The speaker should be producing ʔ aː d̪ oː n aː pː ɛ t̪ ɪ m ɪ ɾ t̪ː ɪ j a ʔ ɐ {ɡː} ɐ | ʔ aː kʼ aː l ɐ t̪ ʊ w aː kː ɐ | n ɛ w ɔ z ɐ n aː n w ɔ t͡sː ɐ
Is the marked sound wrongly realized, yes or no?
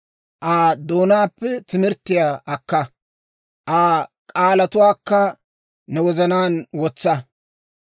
yes